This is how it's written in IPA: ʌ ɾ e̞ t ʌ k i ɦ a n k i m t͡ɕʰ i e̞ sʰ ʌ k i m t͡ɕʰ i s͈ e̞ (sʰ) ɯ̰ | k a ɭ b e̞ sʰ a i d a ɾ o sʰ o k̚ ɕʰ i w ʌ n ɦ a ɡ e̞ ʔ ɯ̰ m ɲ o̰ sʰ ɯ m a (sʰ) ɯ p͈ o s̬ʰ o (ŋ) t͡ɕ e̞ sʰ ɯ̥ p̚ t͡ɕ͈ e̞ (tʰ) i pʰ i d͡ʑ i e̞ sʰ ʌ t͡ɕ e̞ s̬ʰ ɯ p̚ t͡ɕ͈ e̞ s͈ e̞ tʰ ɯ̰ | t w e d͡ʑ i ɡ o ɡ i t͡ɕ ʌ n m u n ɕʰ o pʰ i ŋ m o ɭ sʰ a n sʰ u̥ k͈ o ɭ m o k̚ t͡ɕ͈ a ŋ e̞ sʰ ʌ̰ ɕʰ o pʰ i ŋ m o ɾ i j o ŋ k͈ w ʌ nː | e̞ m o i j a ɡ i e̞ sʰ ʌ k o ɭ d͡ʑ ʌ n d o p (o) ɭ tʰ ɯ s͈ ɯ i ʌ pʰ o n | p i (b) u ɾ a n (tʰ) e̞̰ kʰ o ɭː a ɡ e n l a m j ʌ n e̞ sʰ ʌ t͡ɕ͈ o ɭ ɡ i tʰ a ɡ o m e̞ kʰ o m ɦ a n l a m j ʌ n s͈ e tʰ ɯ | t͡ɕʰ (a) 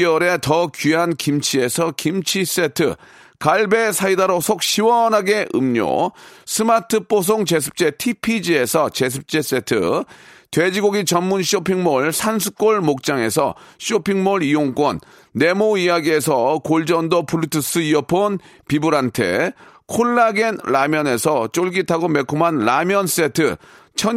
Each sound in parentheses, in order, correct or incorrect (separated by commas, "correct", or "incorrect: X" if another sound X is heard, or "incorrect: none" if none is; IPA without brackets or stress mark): incorrect: tʰ, incorrect: tʰ, correct, correct, incorrect: u, correct, correct, incorrect: ʌ